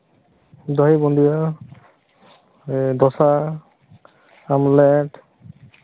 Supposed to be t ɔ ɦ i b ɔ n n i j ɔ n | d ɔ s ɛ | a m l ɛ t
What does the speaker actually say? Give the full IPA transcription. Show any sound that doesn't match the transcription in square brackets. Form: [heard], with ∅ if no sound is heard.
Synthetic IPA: [d] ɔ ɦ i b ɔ n [d] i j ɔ [∅] | d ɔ s [a] | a m l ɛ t